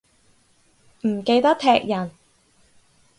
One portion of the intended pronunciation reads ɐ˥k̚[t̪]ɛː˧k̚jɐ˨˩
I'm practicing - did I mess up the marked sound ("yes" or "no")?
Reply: yes